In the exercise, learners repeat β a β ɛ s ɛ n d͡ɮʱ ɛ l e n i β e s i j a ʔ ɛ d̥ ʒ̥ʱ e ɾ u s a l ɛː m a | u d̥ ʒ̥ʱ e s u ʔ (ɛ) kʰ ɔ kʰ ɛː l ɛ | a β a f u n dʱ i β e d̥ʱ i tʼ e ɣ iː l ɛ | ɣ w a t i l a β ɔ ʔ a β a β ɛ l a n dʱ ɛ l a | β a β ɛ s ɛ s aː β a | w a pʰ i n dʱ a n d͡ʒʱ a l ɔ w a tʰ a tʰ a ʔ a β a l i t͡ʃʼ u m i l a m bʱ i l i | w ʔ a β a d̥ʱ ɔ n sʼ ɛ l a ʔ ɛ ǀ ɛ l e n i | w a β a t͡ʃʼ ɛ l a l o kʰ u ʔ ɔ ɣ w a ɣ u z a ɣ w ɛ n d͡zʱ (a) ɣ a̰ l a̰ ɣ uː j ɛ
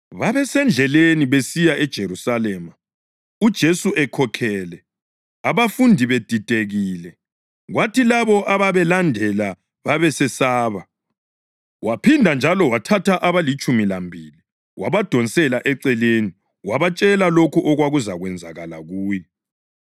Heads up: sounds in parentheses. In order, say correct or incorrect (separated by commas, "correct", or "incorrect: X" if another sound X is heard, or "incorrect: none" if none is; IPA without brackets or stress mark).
correct, correct